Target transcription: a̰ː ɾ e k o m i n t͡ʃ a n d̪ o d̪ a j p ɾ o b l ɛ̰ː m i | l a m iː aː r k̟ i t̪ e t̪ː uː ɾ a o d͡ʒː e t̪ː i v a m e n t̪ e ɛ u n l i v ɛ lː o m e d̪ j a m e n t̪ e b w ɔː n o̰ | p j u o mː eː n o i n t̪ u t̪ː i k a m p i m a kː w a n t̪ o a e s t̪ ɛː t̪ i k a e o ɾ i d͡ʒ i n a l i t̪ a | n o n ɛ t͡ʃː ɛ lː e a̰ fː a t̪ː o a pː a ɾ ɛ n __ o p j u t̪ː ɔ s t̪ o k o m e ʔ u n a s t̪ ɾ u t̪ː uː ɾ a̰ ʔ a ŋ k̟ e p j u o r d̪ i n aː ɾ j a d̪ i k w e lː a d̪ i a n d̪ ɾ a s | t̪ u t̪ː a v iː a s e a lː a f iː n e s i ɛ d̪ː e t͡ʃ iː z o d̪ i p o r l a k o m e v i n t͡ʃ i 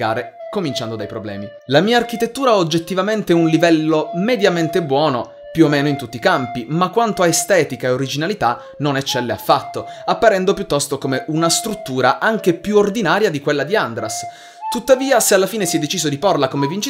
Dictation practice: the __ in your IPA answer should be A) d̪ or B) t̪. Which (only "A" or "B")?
A